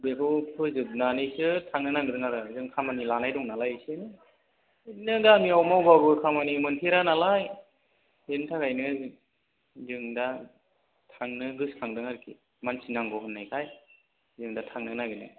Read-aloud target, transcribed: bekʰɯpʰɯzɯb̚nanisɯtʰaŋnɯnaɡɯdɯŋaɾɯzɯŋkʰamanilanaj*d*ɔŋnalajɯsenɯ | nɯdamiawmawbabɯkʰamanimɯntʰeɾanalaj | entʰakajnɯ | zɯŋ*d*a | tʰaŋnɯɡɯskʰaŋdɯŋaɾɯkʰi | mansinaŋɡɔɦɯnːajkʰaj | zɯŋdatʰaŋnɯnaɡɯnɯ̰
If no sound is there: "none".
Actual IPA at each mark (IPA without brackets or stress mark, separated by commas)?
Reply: d, d